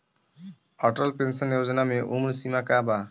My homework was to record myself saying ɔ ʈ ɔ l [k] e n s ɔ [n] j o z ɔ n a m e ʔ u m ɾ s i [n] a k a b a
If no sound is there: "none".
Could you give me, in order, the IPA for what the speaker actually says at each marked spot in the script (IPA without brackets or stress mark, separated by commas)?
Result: p, n, m